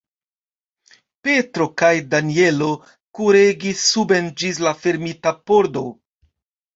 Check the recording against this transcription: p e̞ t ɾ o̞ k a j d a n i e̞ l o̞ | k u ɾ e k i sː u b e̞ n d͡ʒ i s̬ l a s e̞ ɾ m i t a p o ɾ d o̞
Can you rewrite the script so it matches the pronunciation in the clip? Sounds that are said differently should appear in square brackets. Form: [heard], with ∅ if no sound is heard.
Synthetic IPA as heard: p e̞ t ɾ o̞ k a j d a n i e̞ l o̞ | k u ɾ e [ɡ] i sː u b e̞ n d͡ʒ i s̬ l a [f] e̞ ɾ m i t a p o ɾ d o̞